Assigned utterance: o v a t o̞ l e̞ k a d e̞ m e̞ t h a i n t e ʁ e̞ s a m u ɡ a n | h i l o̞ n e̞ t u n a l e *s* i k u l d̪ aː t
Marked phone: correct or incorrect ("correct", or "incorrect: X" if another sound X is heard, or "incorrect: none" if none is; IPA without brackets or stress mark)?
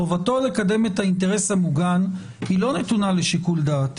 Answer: incorrect: ʃ